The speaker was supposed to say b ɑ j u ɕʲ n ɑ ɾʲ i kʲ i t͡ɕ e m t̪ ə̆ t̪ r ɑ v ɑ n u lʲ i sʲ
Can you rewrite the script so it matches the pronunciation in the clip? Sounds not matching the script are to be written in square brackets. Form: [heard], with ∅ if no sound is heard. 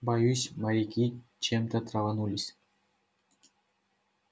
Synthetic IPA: b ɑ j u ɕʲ [m] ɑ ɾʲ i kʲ i t͡ɕ e m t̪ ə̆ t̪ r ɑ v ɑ n u lʲ i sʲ